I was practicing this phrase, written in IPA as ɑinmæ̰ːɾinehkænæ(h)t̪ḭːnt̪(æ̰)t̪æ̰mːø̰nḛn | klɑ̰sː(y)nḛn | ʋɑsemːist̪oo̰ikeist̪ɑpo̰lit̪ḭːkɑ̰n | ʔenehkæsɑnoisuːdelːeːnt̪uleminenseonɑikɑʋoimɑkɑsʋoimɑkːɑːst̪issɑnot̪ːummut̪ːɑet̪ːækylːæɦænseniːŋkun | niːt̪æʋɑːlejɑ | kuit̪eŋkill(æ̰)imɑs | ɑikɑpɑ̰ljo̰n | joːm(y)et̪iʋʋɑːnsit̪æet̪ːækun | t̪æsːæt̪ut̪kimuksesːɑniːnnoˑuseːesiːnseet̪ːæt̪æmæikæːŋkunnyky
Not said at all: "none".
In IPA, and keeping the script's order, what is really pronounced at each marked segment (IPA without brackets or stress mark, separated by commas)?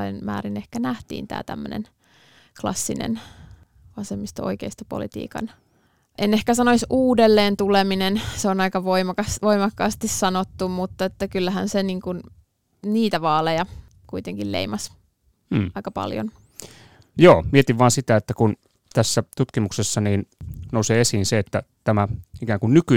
h, æ̰ː, i, ḛ, i